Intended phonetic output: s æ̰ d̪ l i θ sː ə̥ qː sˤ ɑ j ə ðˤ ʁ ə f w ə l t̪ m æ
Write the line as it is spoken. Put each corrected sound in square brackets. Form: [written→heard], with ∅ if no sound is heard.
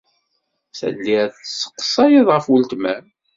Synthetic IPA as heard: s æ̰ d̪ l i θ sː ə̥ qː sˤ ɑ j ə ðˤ ʁ ə f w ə l t̪ m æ